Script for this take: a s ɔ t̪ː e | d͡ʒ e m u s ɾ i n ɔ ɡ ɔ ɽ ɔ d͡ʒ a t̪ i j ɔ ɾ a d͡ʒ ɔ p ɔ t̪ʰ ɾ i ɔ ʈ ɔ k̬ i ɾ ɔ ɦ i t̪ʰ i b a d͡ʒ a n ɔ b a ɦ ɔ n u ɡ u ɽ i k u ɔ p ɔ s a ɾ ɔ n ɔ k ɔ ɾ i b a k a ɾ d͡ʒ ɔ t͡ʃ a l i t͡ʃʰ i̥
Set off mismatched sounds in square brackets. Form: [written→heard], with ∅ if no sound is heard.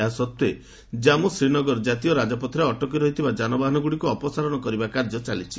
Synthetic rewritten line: a s ɔ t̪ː e | d͡ʒ [e→a] m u s ɾ i n ɔ ɡ ɔ [ɽ→ɾ] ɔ d͡ʒ a t̪ i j ɔ ɾ a d͡ʒ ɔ p ɔ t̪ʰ ɾ [i→e] ɔ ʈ ɔ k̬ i ɾ ɔ ɦ i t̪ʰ i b a d͡ʒ a n ɔ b a ɦ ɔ n [u→ɔ] ɡ u ɽ i k u ɔ p ɔ s a ɾ ɔ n ɔ k ɔ ɾ i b a k a ɾ d͡ʒ ɔ t͡ʃ a l i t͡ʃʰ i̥